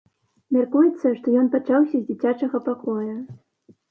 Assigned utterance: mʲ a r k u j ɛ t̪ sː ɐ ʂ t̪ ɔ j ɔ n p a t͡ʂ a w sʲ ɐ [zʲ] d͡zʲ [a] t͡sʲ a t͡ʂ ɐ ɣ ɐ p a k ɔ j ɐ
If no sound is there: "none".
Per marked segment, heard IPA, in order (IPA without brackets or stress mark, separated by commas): zʲ, i